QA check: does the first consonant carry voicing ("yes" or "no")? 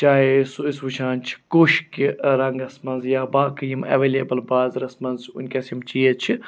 no